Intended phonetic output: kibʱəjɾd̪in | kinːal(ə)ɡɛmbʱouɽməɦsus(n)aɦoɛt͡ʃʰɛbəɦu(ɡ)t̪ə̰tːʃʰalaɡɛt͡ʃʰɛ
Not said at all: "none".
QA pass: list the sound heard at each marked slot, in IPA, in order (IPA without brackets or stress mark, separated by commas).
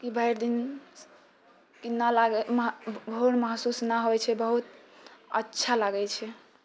a, n, none